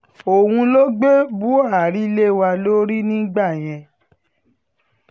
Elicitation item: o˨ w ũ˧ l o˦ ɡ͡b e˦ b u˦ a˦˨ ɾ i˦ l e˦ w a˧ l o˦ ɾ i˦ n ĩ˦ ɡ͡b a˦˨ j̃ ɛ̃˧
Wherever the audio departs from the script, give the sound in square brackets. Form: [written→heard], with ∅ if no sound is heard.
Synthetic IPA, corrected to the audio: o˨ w ũ˧ l o˦ ɡ͡b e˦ b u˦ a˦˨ ɾ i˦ l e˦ w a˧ l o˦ ɾ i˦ n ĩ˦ ɡ͡b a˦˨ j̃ ɛ̃˧